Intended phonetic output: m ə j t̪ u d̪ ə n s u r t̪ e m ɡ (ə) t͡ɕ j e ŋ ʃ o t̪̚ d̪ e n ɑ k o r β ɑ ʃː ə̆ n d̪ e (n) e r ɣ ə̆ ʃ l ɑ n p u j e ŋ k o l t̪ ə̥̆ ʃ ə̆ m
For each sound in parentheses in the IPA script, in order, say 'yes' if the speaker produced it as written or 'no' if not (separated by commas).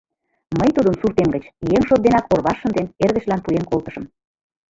yes, yes